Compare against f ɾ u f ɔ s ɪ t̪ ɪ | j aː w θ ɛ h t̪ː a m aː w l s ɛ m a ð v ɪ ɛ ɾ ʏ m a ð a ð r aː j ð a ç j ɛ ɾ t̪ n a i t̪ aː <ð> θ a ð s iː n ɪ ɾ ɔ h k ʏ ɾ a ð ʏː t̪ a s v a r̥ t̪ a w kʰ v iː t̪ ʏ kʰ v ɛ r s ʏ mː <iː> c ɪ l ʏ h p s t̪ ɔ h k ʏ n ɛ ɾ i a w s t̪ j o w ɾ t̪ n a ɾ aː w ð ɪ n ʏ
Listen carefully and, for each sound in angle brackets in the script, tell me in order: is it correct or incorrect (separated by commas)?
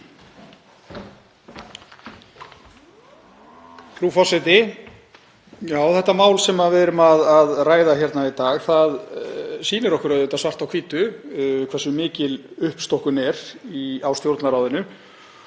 incorrect, incorrect